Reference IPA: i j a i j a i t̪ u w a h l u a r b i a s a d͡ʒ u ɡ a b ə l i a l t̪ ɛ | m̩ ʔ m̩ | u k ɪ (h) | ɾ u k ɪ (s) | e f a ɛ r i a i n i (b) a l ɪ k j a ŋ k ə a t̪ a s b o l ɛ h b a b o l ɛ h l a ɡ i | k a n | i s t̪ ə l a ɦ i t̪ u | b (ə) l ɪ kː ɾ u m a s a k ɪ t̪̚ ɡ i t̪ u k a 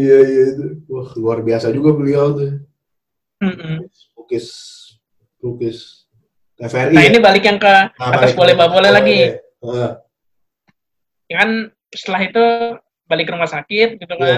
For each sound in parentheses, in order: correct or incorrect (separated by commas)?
incorrect, correct, correct, incorrect